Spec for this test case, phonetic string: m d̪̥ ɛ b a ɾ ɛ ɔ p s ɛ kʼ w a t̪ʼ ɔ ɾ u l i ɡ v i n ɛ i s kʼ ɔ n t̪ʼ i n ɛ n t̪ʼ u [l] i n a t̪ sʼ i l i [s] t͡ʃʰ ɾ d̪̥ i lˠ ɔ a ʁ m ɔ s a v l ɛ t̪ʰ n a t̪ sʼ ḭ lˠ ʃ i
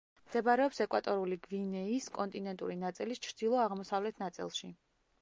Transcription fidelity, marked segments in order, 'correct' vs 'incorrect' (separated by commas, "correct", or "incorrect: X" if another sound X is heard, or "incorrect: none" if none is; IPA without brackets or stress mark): incorrect: ɾ, correct